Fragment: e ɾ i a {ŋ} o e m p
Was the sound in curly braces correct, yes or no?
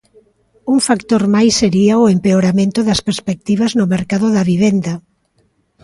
no